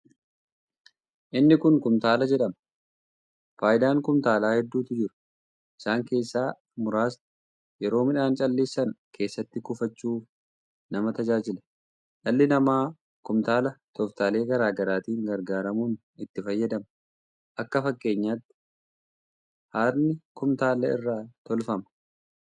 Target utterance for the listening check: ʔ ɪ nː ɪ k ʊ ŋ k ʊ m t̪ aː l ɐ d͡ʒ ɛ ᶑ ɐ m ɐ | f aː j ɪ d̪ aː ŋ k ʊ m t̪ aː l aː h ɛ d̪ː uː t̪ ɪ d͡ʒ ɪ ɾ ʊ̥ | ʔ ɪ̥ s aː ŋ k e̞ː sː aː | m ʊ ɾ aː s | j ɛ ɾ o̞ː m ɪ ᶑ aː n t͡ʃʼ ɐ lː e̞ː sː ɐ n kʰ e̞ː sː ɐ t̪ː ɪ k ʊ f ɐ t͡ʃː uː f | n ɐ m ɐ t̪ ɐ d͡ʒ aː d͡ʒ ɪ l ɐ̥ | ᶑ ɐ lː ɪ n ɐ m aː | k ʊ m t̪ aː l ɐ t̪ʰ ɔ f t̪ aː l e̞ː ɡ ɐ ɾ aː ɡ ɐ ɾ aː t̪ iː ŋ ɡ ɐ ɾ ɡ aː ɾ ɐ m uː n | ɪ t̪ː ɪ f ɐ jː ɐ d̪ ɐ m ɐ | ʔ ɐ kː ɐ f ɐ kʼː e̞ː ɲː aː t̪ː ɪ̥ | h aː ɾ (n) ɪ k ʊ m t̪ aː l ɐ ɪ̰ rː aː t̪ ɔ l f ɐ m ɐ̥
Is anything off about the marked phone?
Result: no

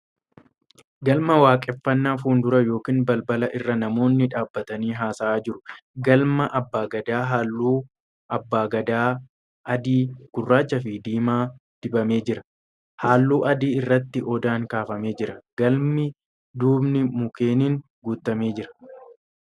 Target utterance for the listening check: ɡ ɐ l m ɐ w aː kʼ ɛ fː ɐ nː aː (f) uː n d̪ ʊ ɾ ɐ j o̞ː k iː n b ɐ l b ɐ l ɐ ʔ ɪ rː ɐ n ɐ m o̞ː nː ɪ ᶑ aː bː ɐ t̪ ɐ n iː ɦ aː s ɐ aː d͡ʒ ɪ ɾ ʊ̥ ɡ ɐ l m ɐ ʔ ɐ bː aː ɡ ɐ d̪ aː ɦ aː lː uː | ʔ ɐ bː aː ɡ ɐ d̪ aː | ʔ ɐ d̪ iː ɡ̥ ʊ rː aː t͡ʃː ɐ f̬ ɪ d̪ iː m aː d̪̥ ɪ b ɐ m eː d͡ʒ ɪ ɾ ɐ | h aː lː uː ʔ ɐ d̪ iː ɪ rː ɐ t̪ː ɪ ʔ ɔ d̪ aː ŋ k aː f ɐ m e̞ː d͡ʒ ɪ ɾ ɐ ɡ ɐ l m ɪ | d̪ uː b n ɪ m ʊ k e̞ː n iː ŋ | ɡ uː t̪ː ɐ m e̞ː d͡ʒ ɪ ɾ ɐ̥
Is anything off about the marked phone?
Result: no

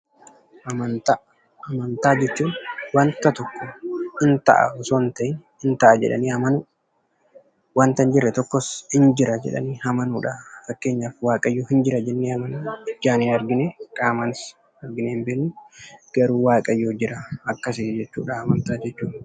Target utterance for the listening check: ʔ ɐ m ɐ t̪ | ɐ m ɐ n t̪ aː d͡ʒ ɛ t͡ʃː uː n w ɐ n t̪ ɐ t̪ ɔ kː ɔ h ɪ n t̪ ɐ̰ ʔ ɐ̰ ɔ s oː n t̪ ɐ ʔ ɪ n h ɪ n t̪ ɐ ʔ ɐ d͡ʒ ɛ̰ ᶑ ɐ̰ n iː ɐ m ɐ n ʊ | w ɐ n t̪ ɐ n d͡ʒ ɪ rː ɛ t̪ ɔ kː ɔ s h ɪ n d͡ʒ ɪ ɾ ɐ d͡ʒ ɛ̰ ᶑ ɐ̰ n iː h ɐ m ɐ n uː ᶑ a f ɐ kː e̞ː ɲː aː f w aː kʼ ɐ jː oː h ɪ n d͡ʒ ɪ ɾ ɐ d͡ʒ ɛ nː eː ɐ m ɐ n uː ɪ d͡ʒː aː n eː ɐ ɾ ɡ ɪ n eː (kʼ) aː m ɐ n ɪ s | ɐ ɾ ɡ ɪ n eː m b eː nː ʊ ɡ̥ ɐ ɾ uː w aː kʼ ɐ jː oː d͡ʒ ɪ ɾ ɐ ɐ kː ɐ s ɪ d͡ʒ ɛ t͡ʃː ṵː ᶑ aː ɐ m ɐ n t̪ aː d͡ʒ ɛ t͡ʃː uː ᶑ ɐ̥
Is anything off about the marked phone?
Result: no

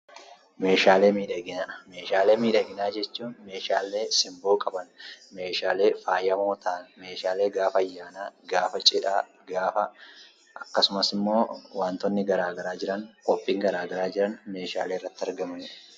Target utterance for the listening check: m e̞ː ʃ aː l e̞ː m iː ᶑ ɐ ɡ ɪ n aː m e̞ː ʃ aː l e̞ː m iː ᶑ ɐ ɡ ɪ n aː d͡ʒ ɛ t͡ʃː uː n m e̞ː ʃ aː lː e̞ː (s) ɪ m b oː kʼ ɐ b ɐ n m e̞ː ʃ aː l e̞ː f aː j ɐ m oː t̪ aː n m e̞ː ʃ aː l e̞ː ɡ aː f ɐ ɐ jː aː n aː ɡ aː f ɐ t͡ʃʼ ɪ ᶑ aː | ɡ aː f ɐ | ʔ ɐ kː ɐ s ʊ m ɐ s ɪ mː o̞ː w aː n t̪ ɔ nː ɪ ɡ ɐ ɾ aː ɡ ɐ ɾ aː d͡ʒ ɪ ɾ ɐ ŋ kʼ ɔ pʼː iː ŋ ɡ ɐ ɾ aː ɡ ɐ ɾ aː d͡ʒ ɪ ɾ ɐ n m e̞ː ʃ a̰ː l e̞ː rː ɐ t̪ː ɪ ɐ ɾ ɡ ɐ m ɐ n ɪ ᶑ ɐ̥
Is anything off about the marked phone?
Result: no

